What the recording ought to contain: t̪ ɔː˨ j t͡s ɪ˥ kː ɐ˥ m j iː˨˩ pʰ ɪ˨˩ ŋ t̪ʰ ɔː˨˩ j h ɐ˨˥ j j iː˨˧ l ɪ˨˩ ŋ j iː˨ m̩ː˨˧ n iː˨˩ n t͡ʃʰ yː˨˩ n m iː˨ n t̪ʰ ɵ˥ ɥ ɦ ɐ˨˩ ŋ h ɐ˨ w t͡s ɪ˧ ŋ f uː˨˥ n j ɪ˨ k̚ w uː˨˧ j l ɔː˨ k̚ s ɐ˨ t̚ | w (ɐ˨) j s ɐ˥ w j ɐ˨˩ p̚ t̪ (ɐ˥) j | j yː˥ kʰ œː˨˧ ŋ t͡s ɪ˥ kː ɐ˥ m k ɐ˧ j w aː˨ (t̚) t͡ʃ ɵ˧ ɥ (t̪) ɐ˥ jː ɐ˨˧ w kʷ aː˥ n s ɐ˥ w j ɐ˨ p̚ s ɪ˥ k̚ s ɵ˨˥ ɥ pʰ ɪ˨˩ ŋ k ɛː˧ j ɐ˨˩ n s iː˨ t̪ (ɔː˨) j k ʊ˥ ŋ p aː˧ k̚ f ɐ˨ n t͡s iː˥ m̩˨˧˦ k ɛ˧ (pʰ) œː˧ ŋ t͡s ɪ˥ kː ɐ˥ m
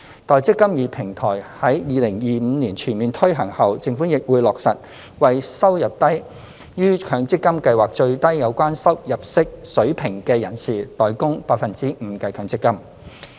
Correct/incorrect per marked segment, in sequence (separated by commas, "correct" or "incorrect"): correct, correct, incorrect, correct, correct, incorrect